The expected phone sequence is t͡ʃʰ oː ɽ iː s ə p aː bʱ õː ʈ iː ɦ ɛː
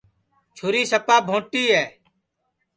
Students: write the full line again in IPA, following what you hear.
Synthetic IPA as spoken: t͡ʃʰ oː ɾ iː s ə p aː bʱ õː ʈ iː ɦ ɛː